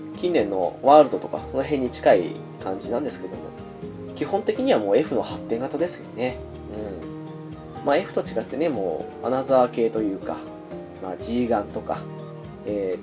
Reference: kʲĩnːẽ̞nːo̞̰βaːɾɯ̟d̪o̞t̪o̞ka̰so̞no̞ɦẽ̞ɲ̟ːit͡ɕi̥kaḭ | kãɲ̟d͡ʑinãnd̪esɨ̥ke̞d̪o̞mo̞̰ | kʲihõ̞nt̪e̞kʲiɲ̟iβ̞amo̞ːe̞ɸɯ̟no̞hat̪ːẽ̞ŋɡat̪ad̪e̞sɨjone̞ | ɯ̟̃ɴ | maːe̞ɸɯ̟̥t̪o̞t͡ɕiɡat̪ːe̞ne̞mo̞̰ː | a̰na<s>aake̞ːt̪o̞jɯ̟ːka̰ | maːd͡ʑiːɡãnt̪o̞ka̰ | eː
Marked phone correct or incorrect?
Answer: incorrect